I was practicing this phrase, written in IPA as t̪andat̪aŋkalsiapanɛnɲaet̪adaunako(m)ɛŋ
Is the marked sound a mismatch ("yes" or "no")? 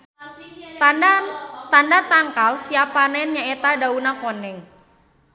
yes